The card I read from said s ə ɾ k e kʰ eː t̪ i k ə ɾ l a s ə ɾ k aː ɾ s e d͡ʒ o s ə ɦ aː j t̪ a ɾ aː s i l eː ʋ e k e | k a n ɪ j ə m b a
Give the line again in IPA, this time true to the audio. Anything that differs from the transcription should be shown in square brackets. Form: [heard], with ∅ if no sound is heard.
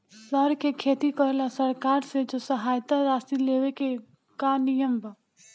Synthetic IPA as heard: s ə ɾ k e kʰ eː t̪ i k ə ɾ l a s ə ɾ k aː ɾ s e d͡ʒ o s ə ɦ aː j t̪ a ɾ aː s i l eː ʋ e k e | k a n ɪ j ə m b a